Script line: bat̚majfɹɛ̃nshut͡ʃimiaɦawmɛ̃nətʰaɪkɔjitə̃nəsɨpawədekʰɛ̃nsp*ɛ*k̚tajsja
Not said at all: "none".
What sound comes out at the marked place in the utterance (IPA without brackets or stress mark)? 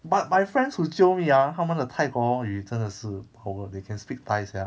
i